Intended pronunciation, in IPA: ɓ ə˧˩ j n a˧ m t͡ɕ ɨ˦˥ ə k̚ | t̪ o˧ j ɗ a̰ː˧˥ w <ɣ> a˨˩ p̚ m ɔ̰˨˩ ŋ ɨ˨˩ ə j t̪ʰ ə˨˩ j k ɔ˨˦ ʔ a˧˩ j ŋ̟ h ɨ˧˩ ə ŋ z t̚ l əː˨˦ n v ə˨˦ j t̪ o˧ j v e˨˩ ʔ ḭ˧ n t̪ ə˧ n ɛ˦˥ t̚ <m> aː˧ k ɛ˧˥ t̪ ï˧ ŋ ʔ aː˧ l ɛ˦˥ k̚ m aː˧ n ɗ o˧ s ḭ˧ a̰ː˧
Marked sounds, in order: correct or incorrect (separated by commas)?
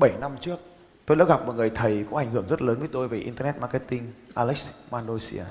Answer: correct, correct